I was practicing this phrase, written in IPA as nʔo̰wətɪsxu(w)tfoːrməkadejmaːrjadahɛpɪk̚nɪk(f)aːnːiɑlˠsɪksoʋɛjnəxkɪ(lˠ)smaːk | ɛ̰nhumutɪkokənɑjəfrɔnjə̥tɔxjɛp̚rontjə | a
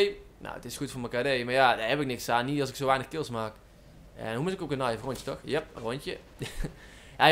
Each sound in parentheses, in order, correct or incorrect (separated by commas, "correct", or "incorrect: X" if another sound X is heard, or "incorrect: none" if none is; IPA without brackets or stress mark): incorrect: none, incorrect: s, correct